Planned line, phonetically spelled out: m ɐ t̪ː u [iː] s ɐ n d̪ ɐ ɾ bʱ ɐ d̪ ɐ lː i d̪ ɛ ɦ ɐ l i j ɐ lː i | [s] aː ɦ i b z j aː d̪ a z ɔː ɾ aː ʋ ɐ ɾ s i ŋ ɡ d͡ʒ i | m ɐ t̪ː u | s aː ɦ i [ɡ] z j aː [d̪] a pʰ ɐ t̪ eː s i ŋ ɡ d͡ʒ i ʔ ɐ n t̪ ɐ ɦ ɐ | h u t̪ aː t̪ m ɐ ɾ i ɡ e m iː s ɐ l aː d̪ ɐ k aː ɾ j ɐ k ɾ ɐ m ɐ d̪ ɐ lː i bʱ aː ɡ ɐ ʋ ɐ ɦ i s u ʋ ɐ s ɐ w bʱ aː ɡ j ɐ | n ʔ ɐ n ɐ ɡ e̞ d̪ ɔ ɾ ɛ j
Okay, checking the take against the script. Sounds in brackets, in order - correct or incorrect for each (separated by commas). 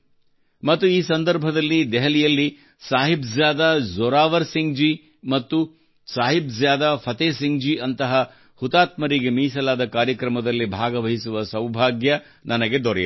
correct, correct, incorrect, correct